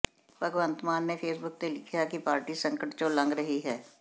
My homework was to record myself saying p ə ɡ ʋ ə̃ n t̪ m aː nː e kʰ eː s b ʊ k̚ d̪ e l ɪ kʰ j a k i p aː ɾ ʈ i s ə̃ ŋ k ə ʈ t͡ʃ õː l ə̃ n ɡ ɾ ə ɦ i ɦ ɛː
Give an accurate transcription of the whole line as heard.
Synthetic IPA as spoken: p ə ɡ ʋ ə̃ n t̪ m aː nː e pʰ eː s b ʊ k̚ t̪ e l ɪ kʰ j a k i p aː ɾ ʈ i s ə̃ ŋ k ə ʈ t͡ʃ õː l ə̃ ŋ ɡ ɾ ə ɦ i ɦ ɛː